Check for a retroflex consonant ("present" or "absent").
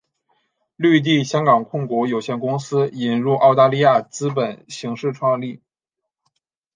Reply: present